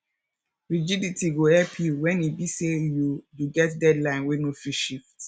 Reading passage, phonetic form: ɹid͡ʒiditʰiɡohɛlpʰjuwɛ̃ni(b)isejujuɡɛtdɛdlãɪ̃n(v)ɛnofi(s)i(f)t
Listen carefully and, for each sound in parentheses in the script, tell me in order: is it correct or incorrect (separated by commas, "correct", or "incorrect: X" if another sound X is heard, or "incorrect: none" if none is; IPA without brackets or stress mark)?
correct, incorrect: w, incorrect: ʃ, correct